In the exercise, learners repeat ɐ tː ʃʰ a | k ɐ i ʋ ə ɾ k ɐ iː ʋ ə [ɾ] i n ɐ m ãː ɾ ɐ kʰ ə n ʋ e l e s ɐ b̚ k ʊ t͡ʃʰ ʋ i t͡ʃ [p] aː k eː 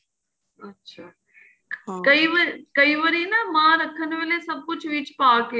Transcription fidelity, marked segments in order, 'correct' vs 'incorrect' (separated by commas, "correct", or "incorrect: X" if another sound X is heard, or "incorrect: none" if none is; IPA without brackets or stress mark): correct, correct